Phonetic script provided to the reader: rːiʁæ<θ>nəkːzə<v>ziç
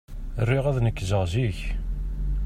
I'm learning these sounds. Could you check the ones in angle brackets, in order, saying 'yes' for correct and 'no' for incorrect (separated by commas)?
no, no